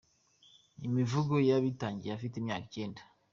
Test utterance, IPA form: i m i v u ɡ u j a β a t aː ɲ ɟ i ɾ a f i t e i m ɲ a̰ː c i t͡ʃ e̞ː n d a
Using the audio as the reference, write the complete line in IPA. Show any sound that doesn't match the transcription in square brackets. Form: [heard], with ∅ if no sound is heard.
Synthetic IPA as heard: i m i v u ɡ [o] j a β [i] t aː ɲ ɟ i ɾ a f i t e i m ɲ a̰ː [k] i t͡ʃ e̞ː n d a

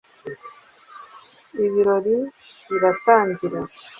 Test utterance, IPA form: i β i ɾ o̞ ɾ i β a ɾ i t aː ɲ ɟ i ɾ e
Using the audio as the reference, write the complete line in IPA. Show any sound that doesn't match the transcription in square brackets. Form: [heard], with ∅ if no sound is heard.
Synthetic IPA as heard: i β i ɾ o̞ ɾ i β [i] ɾ [a] t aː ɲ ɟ i ɾ [a]

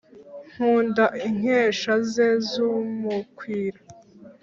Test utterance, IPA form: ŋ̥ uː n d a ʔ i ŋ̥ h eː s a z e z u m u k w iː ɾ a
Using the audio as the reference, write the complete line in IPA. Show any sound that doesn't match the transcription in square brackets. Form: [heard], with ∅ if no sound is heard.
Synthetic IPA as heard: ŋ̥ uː n d a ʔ i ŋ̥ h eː [ʃ] a z e z u m u k w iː ɾ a

